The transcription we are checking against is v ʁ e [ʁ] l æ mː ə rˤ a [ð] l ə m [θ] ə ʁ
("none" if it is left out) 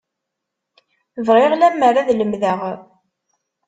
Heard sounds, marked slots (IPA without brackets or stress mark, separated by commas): ʁ, ð, ð